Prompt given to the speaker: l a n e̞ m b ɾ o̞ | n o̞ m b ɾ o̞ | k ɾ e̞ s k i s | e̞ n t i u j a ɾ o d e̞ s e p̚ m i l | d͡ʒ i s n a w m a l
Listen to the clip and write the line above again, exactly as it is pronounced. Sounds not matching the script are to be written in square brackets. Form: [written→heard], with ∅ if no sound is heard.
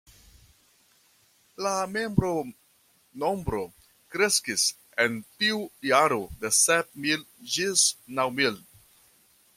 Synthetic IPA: l a [n→m] e̞ m b ɾ o̞ | n o̞ m b ɾ o̞ | k ɾ e̞ s k i s | e̞ n t i u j a ɾ o d e̞ s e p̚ m i l | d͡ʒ i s n a w m [a→i] l